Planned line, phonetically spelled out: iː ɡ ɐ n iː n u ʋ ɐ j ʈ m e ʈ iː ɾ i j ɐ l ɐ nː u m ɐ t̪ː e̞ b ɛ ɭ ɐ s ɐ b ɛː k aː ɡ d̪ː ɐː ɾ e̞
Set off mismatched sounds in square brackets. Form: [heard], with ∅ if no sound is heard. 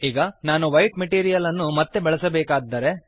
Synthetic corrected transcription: iː ɡ ɐ n [aː] n u ʋ ɐ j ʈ m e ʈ iː ɾ i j ɐ l ɐ nː u m ɐ t̪ː e̞ b ɛ ɭ ɐ s ɐ b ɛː k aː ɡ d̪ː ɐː ɾ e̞